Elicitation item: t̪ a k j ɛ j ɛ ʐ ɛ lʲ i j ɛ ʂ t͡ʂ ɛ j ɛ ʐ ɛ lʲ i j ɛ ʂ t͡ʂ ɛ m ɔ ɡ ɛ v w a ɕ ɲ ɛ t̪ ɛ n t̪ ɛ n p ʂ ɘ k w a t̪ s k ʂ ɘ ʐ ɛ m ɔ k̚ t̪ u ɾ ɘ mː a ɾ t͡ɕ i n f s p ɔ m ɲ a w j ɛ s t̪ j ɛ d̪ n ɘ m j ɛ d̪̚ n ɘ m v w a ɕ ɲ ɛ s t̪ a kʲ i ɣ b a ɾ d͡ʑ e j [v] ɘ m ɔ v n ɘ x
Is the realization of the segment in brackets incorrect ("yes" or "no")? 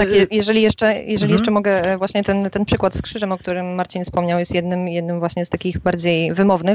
no